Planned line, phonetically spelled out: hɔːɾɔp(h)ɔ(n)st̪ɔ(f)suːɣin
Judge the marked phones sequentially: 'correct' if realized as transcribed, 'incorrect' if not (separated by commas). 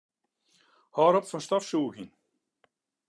incorrect, correct, correct